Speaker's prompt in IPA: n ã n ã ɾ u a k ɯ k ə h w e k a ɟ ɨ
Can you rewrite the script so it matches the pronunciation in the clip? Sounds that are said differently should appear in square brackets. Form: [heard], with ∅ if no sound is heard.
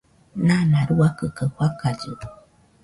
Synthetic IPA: n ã n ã ɾ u a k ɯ k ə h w [a] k a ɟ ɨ